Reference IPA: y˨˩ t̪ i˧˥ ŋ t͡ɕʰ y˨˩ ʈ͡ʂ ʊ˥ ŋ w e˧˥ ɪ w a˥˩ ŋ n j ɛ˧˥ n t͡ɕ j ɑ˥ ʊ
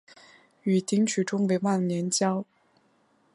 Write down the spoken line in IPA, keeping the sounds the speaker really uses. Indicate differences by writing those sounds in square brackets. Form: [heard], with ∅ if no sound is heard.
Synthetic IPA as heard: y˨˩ t̪ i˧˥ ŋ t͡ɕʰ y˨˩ ʈ͡ʂ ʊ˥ ŋ w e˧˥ ɪ w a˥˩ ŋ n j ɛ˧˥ n t͡ɕ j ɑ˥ ʊ